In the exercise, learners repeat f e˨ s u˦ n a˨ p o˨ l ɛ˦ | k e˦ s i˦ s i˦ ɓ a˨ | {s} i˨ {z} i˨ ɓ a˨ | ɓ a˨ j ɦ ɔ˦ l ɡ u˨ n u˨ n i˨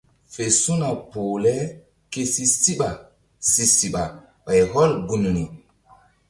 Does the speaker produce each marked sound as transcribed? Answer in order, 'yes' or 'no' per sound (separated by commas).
yes, no